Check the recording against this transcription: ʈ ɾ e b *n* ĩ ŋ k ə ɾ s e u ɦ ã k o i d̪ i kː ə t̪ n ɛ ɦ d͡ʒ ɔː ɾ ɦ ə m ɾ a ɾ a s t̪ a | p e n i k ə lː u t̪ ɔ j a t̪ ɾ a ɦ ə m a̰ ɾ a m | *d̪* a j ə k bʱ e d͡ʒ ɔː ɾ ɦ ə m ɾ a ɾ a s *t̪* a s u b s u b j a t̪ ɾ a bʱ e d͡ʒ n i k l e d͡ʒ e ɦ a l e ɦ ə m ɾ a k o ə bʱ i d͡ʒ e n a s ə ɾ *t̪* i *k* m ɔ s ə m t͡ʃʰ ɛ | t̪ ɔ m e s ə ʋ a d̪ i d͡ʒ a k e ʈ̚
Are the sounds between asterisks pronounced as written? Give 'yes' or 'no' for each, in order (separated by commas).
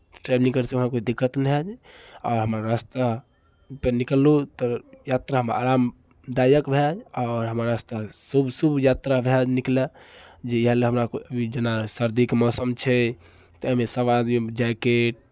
yes, yes, yes, no, yes